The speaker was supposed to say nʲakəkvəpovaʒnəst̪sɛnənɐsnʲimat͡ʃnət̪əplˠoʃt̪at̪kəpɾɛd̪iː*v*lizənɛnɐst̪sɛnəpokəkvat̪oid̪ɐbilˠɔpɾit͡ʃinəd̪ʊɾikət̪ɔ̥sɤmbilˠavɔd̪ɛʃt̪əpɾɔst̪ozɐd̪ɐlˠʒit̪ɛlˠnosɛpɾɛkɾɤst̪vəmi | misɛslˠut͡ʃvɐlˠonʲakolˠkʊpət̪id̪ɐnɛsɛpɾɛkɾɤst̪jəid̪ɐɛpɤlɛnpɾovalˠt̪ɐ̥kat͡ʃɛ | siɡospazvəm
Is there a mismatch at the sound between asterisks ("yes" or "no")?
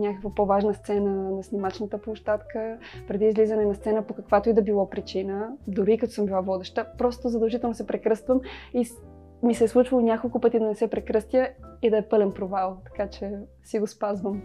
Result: yes